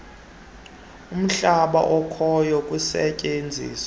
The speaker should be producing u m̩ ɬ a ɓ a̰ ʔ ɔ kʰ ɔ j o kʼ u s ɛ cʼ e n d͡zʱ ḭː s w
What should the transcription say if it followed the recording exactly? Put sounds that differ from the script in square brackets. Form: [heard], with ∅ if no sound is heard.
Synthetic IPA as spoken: u m̩ ɬ a ɓ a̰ ʔ ɔ kʰ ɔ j [ɔ] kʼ u s ɛ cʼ e n d͡zʱ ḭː s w